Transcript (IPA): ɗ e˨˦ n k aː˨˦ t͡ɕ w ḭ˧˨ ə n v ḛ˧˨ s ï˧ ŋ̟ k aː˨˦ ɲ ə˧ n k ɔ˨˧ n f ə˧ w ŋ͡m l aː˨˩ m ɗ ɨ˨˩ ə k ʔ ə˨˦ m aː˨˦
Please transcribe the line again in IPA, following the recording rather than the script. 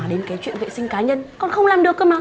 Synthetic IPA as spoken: ɗ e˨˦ n k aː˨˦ t͡ɕ w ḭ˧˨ ə n v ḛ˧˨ s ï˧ ŋ̟ k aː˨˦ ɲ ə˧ n k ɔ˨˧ n x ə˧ w ŋ͡m l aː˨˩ m ɗ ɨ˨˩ ə k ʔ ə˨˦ m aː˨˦